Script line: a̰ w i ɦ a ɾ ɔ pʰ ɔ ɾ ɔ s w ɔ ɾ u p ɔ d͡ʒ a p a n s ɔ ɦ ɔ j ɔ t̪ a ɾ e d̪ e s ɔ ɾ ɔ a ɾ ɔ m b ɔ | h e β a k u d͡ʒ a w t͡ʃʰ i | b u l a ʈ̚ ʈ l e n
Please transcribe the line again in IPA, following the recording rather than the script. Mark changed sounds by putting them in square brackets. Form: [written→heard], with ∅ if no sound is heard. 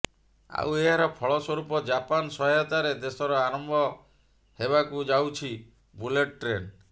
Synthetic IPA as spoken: a̰ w [i→e] ɦ a ɾ ɔ pʰ ɔ [ɾ→ɭ] ɔ s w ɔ ɾ u p ɔ d͡ʒ a p a n s ɔ ɦ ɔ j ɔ t̪ a ɾ e d̪ e s ɔ ɾ ɔ a ɾ ɔ m b ɔ | h e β a k u d͡ʒ a w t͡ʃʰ i | b u l [a→e] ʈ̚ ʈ [l→ɾ] e n